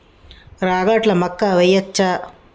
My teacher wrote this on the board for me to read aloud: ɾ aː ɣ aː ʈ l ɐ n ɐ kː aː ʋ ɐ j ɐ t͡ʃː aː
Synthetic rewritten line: ɾ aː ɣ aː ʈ l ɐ m ɐ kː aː ʋ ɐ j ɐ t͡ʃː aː